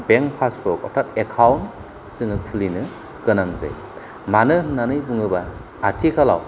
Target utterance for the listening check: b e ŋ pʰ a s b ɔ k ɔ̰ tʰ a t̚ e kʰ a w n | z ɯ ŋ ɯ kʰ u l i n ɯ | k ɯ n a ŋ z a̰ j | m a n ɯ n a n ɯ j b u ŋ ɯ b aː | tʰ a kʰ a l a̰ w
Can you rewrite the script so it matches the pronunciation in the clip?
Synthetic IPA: b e ŋ pʰ a s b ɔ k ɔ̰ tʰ a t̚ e kʰ a w n | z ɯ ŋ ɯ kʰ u l i n ɯ | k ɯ n a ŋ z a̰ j | m a n ɯ n a n ɯ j b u ŋ ɯ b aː | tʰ i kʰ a l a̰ w